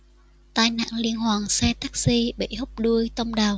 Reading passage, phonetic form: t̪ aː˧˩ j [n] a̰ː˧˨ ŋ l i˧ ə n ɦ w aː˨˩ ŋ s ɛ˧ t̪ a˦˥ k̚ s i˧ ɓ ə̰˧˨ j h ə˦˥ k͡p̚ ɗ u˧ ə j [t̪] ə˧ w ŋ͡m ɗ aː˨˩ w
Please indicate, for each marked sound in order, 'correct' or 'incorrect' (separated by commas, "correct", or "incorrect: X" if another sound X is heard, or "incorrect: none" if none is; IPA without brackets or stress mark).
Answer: correct, correct